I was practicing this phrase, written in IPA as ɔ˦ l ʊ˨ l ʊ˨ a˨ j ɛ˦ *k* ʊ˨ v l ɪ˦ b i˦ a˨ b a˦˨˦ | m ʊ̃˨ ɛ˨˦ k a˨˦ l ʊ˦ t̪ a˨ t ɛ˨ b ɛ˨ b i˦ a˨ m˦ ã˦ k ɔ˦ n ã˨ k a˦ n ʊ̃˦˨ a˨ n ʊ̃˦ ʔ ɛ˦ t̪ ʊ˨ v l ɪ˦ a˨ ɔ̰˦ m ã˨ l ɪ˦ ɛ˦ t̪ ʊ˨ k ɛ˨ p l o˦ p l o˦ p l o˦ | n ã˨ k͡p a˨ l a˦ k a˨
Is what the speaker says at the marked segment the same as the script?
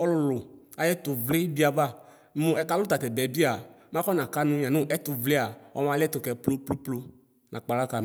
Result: no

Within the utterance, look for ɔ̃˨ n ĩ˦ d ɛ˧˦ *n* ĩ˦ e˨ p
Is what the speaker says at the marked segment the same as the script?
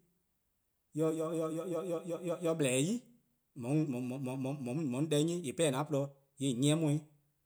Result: no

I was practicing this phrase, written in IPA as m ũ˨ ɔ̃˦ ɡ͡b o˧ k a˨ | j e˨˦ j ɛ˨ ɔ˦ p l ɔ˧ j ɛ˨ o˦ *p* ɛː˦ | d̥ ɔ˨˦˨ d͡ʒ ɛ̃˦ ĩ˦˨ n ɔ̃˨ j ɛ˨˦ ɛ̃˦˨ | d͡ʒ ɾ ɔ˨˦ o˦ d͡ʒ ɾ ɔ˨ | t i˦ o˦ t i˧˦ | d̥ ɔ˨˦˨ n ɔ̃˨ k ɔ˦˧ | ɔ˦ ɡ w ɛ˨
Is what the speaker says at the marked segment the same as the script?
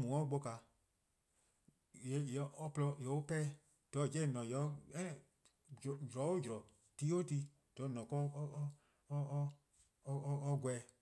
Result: yes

